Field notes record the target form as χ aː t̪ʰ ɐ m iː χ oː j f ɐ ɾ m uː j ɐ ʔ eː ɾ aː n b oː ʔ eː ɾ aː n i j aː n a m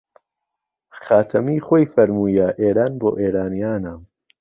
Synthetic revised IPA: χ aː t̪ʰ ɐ m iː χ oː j f ɐ ɾ m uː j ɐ ʔ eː ɾ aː n b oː ʔ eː ɾ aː n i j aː n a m